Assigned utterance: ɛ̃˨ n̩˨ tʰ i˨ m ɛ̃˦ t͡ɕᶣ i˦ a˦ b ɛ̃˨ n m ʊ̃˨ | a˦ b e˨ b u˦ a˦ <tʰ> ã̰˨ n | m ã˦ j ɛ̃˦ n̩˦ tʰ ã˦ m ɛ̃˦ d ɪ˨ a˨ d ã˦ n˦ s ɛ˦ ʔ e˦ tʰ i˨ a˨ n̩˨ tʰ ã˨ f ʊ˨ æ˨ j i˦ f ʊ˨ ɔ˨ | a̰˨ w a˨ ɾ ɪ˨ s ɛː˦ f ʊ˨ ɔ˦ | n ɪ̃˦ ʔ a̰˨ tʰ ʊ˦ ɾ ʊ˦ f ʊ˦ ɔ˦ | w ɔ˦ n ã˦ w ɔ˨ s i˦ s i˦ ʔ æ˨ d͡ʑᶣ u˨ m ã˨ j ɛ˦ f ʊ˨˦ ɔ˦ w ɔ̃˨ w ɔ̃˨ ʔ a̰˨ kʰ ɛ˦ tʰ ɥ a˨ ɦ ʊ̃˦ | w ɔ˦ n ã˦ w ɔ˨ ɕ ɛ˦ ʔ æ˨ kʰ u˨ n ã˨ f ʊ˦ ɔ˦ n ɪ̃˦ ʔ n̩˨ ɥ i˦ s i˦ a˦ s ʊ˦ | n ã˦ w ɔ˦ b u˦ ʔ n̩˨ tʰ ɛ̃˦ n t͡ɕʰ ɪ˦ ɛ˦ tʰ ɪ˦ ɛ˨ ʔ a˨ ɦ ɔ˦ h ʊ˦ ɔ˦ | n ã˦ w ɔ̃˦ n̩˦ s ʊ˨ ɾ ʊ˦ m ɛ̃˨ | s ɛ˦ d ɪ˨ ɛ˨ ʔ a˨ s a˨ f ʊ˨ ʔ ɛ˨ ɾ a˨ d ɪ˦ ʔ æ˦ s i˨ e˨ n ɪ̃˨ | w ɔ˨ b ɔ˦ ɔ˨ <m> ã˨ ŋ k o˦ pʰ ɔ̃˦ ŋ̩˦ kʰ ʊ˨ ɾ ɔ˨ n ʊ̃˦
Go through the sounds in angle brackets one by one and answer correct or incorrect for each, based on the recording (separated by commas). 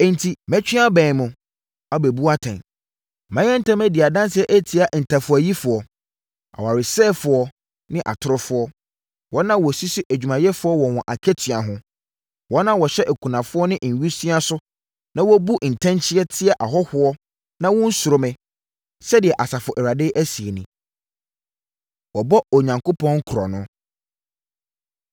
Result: correct, incorrect